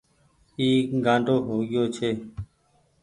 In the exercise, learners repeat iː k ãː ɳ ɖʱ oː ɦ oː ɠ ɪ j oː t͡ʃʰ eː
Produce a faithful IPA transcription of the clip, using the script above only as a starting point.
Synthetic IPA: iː ɡ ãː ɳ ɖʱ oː ɦ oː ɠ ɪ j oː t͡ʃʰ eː